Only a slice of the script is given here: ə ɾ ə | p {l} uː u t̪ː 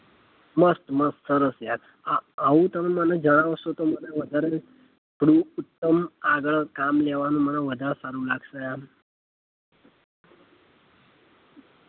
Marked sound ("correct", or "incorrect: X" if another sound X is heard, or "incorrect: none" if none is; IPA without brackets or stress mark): incorrect: ɽ